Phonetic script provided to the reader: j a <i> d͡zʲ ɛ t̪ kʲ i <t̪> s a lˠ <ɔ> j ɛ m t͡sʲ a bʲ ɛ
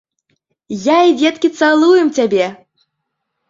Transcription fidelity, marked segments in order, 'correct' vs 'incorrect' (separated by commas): correct, correct, incorrect